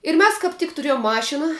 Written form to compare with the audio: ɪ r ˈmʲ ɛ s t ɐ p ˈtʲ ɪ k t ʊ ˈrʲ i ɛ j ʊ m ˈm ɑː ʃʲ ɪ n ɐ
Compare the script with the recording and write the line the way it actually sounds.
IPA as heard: ɪ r ˈmʲ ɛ s k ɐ p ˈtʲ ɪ k t ʊ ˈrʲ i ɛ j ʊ m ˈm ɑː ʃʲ ɪ n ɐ